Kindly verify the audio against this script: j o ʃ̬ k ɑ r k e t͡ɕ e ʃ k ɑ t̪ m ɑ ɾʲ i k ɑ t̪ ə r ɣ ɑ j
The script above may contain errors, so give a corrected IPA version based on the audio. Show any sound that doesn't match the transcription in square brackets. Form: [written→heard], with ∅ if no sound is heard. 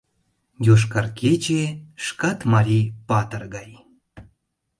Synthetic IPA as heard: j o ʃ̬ k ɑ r k e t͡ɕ e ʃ k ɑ t̪ m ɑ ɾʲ i [k→p] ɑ t̪ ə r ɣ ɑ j